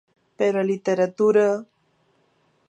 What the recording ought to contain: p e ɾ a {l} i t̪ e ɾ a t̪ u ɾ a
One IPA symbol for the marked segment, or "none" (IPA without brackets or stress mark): l